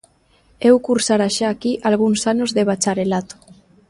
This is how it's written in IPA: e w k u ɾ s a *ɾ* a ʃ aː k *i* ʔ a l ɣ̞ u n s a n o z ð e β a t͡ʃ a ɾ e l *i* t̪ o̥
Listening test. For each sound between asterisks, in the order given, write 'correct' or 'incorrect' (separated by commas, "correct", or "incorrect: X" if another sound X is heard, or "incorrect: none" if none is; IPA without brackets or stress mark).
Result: correct, correct, incorrect: a